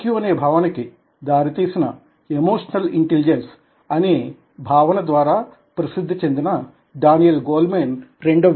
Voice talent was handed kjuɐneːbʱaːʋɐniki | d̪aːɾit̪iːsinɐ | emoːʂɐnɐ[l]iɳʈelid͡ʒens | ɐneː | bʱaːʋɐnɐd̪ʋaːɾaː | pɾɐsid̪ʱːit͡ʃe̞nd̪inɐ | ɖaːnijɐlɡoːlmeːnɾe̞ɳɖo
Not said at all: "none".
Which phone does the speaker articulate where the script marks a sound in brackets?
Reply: l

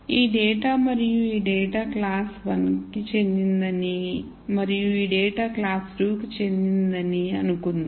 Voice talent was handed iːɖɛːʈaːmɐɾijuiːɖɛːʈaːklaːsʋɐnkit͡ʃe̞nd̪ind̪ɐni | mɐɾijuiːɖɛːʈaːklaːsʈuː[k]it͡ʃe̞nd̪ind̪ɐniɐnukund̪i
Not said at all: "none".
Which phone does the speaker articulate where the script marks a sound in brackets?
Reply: k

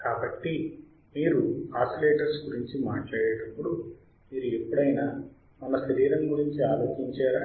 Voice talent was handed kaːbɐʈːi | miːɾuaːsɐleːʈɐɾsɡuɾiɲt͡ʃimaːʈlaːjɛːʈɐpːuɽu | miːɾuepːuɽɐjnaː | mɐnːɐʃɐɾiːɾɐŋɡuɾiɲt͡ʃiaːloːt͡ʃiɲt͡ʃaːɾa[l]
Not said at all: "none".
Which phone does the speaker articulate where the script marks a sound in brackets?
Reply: none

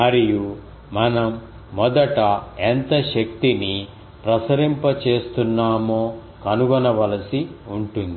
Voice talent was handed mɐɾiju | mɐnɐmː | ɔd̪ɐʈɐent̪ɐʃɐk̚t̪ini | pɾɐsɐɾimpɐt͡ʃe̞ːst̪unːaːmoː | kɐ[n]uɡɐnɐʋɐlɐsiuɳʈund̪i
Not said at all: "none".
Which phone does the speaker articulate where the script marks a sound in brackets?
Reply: n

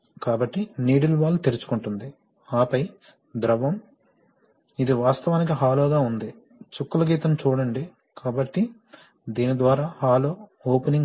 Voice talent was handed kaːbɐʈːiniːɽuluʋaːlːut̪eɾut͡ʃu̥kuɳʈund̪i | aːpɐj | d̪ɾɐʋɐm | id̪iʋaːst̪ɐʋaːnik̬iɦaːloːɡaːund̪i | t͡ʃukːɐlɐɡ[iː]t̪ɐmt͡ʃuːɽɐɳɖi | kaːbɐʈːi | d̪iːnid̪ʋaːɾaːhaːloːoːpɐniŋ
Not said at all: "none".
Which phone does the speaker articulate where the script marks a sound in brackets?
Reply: iː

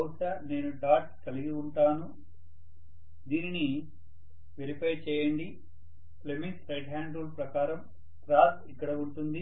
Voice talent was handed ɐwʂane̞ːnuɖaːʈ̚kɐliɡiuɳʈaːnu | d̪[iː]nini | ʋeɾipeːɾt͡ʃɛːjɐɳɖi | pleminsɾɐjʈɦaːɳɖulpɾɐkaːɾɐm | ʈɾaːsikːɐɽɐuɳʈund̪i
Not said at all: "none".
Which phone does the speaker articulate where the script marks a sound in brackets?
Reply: iː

